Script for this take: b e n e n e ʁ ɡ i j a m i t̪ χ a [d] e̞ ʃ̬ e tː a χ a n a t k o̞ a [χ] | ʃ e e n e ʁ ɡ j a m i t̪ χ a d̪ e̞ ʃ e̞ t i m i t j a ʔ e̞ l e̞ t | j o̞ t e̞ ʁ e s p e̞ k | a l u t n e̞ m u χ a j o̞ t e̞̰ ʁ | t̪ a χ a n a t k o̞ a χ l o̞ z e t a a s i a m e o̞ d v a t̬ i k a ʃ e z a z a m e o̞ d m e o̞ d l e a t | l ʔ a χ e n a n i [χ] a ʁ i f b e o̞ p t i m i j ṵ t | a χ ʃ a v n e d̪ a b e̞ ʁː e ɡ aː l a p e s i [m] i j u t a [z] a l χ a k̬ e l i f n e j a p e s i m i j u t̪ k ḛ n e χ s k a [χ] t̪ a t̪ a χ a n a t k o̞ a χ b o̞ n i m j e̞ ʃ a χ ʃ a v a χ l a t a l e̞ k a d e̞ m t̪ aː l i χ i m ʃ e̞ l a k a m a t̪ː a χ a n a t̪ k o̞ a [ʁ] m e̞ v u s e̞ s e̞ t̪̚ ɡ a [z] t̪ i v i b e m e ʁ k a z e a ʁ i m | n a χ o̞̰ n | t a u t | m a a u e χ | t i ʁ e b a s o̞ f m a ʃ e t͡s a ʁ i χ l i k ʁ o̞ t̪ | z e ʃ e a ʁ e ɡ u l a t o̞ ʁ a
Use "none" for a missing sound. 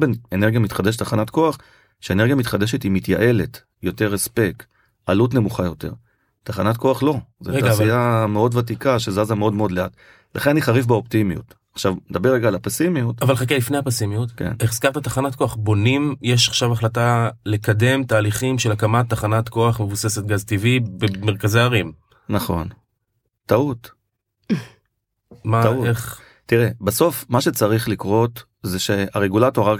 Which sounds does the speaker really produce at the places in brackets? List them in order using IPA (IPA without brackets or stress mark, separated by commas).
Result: d, χ, χ, m, v, ʁ, χ, z